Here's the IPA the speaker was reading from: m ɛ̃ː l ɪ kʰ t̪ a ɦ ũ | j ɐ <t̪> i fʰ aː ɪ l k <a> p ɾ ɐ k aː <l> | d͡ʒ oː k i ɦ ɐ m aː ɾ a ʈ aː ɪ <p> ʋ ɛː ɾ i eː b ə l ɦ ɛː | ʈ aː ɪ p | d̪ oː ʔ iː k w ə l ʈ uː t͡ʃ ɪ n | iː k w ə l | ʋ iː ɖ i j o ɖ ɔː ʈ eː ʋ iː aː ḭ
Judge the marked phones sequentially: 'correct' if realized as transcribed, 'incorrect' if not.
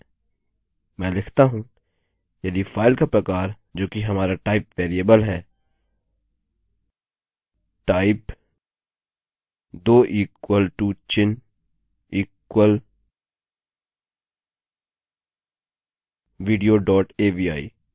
incorrect, correct, incorrect, correct

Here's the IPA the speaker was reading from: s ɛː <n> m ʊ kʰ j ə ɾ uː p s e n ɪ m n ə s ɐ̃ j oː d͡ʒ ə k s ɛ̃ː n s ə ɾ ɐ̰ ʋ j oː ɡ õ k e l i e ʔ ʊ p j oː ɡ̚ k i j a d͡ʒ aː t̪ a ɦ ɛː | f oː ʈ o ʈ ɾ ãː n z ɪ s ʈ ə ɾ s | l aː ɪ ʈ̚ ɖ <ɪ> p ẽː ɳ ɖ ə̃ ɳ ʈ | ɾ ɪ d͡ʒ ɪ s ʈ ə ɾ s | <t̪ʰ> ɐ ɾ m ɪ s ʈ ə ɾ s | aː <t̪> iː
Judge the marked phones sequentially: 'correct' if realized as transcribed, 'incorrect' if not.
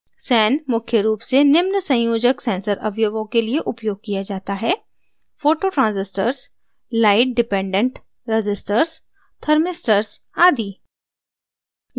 correct, correct, correct, incorrect

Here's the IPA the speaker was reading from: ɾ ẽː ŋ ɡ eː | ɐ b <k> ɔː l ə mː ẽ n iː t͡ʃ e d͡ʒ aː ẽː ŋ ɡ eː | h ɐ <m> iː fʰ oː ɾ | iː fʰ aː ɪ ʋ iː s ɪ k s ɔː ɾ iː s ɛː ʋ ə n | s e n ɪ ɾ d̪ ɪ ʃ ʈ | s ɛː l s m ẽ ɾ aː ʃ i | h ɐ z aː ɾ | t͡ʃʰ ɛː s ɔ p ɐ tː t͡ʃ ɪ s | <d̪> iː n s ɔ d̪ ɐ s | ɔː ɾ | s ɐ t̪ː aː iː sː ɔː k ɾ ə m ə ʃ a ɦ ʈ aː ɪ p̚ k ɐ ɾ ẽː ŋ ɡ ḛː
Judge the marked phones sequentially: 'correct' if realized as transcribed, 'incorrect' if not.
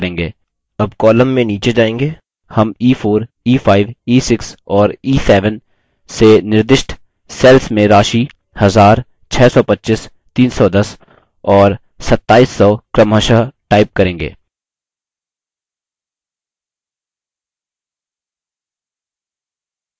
correct, correct, incorrect

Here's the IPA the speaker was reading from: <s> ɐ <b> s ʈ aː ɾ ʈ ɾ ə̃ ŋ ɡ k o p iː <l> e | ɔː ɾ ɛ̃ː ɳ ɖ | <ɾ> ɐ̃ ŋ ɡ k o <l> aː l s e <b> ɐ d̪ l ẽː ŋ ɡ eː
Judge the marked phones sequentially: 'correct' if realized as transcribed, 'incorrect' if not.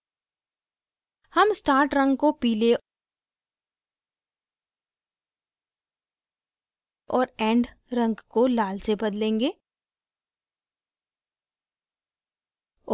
incorrect, incorrect, correct, correct, correct, correct

